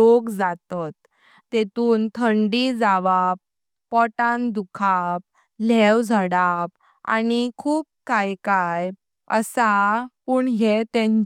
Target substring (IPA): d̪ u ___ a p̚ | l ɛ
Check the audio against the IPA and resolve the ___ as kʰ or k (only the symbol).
kʰ